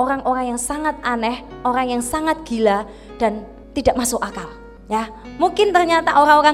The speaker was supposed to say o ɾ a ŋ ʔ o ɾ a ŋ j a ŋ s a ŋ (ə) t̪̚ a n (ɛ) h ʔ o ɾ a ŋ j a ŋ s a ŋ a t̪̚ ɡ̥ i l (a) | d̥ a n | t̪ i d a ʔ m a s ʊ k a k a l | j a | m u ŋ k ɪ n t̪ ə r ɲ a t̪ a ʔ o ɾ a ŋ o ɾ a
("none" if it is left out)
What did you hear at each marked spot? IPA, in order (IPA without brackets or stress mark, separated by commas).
a, ɛ, a